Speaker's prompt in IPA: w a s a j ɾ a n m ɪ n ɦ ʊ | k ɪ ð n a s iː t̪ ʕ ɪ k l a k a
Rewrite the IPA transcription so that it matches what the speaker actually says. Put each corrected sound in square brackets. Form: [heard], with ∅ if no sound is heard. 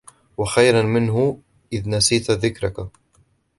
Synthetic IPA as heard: w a [x] a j ɾ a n m ɪ n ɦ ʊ | [ʔ] ɪ ð n a s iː t̪ [ð] ɪ k [ɾ] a k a